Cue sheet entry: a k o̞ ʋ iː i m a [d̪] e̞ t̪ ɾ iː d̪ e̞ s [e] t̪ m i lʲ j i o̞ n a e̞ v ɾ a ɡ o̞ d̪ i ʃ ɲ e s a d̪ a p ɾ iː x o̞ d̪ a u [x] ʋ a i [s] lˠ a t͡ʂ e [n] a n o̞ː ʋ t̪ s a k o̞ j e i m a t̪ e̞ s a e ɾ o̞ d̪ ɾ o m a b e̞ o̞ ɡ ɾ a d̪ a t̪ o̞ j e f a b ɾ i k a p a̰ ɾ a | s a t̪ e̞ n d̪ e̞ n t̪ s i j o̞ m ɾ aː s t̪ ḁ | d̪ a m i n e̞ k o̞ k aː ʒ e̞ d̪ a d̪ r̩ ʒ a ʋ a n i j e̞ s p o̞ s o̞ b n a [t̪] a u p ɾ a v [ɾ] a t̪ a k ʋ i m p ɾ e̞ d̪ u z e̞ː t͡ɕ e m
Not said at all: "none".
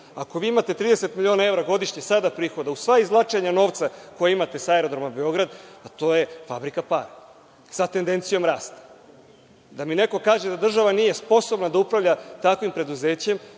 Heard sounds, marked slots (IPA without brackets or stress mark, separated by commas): t̪, e, s, z, ɲ, d̪, ʎ